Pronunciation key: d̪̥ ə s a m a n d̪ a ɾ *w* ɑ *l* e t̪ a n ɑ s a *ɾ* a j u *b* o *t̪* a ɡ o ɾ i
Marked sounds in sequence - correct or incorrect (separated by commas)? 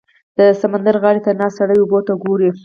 incorrect, incorrect, incorrect, correct, correct